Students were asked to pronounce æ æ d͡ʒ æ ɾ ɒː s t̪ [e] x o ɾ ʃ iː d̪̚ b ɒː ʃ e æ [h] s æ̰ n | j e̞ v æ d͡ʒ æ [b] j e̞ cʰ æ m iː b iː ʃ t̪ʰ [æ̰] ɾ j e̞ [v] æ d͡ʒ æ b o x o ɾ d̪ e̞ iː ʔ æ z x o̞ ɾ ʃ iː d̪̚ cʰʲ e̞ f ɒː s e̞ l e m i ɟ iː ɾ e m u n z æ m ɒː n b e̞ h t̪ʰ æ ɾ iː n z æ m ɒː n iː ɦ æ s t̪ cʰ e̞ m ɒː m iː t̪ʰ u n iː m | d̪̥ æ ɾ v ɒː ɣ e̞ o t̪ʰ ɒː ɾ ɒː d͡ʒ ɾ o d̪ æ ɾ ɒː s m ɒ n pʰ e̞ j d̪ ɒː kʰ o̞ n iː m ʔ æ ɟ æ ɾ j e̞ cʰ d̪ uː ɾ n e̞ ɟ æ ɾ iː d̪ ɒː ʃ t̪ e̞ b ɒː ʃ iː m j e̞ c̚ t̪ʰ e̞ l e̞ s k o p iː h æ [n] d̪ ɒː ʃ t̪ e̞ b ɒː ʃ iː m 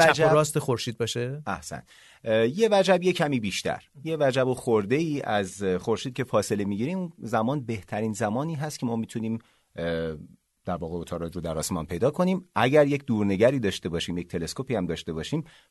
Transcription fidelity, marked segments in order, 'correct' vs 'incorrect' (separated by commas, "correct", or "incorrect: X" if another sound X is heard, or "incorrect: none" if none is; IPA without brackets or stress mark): correct, correct, correct, correct, correct, incorrect: m